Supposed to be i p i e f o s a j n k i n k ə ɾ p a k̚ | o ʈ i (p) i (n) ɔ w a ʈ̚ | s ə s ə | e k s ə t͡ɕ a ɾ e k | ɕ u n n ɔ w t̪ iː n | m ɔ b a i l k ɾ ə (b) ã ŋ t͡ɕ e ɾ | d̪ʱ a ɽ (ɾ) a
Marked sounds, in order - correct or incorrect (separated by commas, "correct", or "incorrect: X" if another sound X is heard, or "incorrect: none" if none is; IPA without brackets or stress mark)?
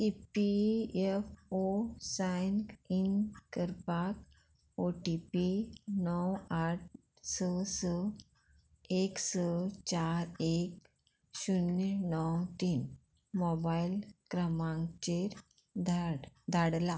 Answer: correct, correct, incorrect: m, incorrect: l